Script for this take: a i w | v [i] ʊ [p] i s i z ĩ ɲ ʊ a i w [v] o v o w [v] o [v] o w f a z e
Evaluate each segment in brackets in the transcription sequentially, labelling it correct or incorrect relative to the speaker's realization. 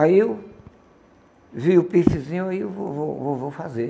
correct, correct, correct, correct, correct

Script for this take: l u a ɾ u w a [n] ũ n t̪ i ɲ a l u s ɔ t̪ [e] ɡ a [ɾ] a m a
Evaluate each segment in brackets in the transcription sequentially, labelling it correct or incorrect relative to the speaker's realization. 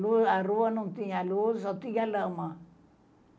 correct, incorrect, incorrect

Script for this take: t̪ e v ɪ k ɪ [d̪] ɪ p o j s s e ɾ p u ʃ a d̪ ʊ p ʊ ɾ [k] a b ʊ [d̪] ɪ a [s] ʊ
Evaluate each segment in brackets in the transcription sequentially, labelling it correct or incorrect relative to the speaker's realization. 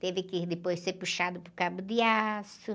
correct, correct, correct, correct

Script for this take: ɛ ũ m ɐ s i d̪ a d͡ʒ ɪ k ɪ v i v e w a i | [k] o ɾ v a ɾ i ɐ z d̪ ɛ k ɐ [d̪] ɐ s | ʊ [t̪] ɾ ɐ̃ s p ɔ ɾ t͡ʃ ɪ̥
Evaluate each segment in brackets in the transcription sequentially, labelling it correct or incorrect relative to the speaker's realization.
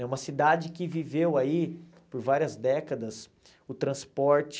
incorrect, correct, correct

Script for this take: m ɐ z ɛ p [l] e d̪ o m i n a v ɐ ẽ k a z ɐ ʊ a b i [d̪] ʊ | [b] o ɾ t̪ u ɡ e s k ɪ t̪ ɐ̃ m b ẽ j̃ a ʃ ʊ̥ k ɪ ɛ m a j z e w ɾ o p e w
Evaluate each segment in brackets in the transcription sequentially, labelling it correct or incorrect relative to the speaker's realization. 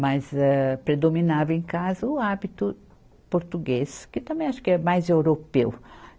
incorrect, incorrect, incorrect

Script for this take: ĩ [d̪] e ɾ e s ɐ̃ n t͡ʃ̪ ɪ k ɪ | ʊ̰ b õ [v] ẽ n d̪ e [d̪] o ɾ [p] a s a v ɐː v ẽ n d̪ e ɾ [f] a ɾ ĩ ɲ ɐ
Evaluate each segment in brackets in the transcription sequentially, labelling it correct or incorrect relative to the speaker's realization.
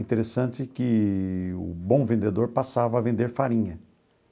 incorrect, correct, correct, correct, correct

